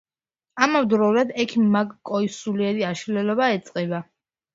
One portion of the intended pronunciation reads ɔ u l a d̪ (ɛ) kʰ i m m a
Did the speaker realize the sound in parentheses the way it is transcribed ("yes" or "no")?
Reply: yes